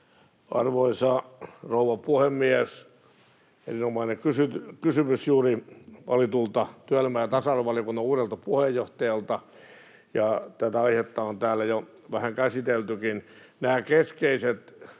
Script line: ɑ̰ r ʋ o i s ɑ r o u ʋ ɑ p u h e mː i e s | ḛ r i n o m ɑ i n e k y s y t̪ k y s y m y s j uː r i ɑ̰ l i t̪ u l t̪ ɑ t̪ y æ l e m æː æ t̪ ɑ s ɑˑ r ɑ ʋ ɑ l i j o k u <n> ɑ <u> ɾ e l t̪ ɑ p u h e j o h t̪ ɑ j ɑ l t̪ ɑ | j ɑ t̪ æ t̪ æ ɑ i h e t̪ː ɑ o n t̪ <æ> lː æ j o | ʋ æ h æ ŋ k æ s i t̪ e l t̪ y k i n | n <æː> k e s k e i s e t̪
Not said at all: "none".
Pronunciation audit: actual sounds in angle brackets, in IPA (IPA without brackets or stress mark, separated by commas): nː, uː, æː, æː